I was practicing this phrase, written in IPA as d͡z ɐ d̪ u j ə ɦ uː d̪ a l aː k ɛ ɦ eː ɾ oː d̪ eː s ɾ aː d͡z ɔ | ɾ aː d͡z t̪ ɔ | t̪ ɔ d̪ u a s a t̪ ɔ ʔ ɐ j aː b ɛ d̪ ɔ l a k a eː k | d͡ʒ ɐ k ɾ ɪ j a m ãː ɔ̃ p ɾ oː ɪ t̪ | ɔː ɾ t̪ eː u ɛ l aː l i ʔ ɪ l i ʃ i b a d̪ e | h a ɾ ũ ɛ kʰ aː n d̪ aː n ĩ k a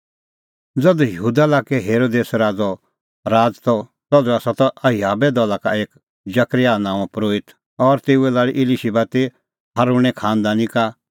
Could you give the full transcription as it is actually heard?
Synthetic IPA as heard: d͡z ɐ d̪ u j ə ɦ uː d̪ a l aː k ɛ ɦ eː ɾ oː d̪ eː s ɾ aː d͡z ɔ | ɾ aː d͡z t̪ ɔ | t̪ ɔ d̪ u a s a t̪ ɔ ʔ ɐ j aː b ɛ d̪ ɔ l a k a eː k | d͡ʒ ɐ k ɾ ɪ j a n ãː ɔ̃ p ɾ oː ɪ t̪ | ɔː ɾ t̪ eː u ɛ l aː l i ʔ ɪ l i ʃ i b a t̪ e | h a ɾ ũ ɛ kʰ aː n d̪ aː n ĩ k a